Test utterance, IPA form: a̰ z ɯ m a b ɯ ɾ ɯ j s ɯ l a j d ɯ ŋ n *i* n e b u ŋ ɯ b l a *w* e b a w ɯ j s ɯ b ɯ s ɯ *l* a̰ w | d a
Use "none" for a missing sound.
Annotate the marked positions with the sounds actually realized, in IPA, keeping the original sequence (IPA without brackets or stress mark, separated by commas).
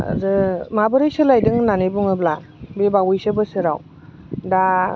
a, b, ɾ